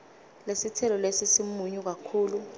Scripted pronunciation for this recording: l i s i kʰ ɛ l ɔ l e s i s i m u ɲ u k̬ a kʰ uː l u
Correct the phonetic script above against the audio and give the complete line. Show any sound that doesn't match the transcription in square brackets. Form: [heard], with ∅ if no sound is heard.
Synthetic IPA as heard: l [e] s i [tʰ] ɛ l ɔ l e s i s i m u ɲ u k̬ a kʰ uː l u